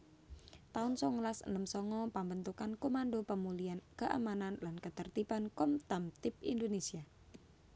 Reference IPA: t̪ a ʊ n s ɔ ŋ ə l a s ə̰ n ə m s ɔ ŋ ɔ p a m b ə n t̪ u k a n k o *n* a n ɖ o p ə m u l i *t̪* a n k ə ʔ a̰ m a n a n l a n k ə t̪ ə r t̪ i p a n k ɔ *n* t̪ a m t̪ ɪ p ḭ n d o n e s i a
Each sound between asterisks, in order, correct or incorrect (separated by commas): incorrect, incorrect, incorrect